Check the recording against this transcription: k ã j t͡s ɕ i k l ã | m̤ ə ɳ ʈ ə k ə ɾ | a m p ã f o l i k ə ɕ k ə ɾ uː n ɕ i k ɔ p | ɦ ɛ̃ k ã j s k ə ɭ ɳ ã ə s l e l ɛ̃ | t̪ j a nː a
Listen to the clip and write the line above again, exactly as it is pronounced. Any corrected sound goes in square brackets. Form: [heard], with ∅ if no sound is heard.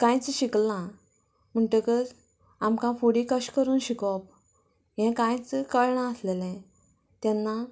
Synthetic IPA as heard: k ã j t͡s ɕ i k l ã | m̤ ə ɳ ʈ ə k ə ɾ | a m [k] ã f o [ɽ] i k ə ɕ k ə ɾ uː n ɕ i k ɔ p | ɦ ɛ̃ k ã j [t͡s] k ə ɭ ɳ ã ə s l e l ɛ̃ | t̪ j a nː a